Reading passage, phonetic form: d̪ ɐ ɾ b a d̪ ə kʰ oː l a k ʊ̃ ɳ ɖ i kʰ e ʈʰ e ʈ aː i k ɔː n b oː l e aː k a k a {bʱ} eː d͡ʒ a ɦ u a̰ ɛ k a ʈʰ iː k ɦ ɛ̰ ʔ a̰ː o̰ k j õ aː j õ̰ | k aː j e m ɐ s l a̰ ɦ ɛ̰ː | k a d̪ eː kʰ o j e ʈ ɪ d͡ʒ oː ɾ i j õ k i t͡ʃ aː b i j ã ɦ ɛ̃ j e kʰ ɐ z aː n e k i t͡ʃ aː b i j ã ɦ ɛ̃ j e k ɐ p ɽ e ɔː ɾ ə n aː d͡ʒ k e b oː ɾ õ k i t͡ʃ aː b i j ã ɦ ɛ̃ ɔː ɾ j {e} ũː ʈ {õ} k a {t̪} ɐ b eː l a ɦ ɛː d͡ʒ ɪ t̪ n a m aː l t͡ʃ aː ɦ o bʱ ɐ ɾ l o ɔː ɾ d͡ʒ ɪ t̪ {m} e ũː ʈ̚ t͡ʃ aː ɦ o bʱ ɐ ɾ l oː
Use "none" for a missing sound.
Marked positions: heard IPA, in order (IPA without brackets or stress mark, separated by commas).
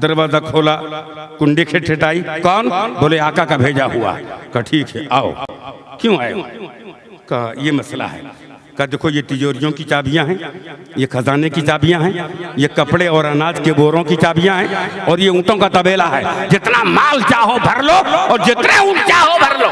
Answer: bʱ, e, õ, t̪, n